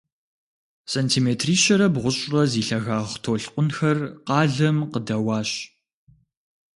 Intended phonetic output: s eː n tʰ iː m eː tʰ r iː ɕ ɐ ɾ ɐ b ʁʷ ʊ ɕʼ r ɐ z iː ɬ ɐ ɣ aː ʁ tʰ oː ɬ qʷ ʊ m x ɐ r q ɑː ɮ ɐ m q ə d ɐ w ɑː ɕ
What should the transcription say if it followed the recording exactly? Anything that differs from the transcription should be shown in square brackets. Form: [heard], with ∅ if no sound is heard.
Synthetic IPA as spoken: s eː n tʰ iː m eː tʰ r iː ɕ ɐ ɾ ɐ b ʁʷ ʊ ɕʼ r ɐ z iː ɬ ɐ ɣ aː ʁ tʰ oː ɬ qʷ ʊ [n] x ɐ r q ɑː ɮ ɐ m q ə d ɐ w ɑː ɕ